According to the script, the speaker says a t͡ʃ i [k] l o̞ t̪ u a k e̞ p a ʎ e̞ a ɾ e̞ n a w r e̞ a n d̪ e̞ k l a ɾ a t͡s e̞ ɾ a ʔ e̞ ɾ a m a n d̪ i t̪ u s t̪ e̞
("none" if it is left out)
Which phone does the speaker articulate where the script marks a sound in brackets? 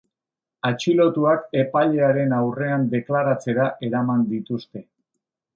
none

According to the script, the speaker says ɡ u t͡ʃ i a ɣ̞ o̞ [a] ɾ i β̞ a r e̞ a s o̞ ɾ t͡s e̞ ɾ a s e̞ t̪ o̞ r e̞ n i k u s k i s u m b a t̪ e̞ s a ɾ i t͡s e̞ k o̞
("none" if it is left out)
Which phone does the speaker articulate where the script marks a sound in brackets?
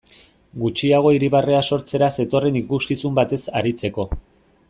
i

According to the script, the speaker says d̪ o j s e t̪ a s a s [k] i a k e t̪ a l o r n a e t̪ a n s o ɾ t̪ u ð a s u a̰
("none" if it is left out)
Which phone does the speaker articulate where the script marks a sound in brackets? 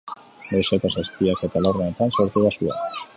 p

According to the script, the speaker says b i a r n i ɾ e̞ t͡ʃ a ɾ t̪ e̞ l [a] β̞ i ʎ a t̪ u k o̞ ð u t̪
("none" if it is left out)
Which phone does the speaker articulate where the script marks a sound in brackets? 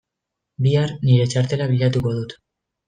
a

